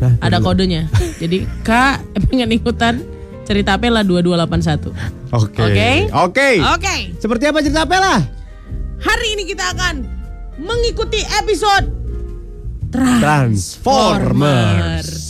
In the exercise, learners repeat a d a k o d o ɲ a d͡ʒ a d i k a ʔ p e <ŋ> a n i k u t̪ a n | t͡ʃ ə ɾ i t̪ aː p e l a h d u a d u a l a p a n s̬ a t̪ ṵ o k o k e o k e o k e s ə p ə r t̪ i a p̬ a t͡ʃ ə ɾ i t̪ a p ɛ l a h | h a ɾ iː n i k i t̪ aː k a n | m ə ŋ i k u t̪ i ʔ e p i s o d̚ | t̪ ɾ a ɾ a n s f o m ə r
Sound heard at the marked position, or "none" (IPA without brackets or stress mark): ŋ